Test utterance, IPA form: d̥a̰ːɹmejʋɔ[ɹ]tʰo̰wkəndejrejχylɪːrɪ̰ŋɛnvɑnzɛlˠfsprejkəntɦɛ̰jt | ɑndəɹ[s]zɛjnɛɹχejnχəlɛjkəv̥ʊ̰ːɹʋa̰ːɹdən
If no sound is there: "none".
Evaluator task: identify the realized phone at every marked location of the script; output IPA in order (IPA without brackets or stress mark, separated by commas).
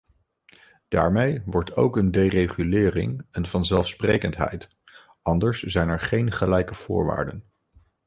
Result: ɹ, s